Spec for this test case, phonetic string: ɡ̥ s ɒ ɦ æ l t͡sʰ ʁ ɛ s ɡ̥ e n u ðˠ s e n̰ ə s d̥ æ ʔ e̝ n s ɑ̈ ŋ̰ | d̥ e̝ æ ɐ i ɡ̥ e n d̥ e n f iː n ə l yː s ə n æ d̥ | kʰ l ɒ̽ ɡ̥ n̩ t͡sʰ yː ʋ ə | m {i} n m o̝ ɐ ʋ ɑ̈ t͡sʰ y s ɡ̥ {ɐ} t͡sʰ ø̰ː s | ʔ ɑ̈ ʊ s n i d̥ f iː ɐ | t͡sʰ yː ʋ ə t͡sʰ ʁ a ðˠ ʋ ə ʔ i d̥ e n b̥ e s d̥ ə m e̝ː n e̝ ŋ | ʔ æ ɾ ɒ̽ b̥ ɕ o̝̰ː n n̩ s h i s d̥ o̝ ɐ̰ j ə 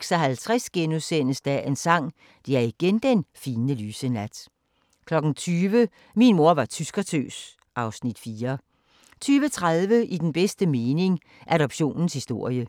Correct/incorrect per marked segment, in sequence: correct, correct

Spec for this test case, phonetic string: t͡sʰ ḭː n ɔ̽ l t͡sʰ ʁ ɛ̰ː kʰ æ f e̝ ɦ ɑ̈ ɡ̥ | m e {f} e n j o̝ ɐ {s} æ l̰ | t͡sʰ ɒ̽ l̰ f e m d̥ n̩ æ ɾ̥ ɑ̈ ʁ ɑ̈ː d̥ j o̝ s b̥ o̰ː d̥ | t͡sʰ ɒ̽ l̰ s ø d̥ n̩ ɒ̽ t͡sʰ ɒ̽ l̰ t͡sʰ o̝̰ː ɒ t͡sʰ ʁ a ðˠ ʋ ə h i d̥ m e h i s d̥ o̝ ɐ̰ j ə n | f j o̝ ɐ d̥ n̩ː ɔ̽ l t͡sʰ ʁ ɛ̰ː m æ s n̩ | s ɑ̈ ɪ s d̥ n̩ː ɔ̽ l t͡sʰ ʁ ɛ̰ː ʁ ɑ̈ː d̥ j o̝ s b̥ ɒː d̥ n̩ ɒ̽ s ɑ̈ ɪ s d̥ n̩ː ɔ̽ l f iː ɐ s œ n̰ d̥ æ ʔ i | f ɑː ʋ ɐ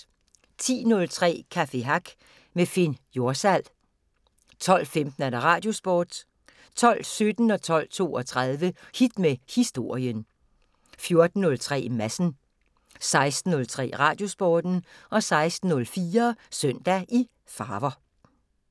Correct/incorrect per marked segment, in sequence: correct, correct

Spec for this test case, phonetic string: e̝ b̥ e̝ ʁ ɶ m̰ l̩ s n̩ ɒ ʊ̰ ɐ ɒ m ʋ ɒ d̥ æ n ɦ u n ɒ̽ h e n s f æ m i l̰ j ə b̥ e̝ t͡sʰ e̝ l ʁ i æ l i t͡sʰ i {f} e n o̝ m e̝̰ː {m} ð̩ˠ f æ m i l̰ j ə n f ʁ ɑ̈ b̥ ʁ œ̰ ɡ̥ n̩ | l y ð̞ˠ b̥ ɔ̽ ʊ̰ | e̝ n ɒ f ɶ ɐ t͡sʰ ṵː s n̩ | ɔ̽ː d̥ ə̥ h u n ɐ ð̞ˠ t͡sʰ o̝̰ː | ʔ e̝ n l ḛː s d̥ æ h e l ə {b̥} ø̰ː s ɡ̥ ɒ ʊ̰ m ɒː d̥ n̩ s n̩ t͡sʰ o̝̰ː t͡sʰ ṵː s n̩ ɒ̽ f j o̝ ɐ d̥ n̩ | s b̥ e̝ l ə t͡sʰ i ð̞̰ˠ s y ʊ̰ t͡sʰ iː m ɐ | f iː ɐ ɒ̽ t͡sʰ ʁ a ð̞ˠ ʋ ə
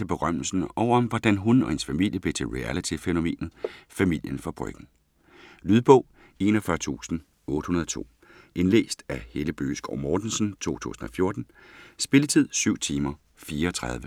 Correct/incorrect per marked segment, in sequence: correct, incorrect, correct

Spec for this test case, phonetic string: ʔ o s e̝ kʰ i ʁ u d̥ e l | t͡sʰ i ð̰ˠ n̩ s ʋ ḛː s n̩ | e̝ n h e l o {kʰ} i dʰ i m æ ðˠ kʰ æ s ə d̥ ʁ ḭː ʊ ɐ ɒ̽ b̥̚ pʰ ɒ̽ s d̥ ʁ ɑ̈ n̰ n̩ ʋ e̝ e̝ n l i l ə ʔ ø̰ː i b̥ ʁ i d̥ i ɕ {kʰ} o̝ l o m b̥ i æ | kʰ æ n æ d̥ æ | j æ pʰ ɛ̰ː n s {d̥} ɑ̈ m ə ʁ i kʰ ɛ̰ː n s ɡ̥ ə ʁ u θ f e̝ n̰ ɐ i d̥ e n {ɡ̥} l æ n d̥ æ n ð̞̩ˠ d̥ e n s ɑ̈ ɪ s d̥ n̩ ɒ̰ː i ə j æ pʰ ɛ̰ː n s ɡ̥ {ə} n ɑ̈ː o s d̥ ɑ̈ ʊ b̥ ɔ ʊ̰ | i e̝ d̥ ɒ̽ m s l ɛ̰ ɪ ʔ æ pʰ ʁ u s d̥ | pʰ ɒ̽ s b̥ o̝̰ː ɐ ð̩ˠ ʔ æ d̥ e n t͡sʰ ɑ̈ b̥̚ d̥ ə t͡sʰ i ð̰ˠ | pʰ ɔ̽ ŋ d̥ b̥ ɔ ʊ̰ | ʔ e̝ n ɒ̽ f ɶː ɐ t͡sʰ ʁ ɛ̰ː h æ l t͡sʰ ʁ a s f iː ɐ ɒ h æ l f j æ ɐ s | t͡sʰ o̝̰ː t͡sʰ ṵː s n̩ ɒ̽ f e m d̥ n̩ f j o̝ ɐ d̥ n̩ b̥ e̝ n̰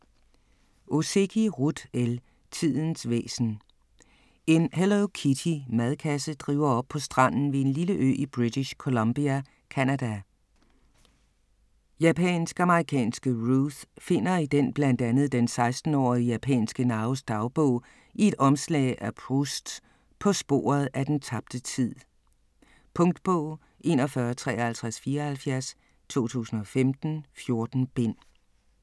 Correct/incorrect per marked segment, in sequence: correct, correct, incorrect, incorrect, correct

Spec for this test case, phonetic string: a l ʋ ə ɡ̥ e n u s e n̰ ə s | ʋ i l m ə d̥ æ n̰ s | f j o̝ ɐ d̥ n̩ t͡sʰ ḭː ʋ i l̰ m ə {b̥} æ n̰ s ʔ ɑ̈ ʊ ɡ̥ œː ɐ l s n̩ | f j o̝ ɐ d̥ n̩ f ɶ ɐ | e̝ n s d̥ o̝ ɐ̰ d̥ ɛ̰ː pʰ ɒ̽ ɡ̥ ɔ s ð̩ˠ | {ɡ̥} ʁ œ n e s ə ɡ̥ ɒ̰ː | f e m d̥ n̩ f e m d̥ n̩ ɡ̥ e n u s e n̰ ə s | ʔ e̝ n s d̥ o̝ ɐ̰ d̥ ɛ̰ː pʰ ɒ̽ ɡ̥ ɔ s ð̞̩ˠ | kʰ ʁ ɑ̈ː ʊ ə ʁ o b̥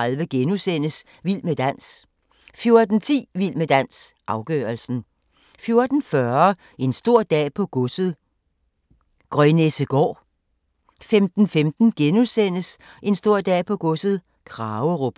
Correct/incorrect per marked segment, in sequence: incorrect, correct

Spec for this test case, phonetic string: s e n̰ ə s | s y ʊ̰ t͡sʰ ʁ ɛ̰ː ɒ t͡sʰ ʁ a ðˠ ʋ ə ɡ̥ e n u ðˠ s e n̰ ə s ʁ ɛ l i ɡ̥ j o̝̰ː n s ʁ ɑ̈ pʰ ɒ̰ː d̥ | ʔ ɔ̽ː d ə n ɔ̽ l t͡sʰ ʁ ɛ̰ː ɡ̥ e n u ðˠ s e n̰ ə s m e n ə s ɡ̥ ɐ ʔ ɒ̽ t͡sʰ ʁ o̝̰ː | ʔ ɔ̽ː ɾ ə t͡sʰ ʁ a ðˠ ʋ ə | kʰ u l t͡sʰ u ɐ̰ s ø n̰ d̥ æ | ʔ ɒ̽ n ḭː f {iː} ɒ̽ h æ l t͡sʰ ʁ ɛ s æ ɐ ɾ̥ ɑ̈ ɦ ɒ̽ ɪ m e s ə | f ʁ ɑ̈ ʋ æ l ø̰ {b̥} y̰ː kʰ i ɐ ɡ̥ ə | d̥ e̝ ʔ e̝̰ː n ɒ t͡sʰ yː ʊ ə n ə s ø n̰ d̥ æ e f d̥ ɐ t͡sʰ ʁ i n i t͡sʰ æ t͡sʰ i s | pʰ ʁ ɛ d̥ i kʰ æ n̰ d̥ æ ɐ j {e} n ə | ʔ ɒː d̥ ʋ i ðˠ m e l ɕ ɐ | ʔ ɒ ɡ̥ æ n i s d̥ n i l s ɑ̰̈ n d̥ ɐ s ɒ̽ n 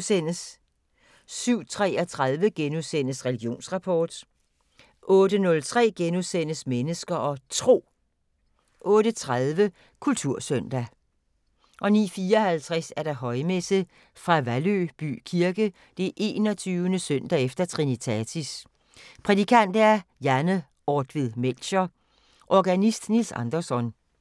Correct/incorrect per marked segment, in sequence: correct, correct, incorrect

